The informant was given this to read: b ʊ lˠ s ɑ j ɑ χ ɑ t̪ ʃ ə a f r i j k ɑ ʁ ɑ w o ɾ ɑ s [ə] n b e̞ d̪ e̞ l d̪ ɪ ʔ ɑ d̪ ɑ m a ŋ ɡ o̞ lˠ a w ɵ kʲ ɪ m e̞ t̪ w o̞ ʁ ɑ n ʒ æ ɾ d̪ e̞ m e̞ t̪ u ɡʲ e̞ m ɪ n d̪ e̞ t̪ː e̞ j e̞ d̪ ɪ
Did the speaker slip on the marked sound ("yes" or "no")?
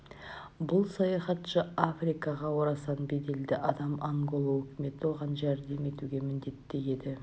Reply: yes